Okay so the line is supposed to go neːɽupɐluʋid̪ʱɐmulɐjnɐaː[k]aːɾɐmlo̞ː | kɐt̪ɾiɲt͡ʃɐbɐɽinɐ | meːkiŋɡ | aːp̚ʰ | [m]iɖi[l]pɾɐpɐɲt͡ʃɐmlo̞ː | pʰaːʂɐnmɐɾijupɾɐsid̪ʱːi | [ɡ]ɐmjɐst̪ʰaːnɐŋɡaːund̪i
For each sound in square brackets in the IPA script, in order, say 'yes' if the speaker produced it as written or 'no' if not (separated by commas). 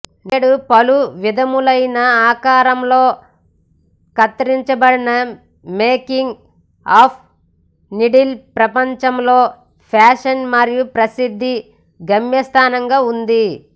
yes, no, yes, yes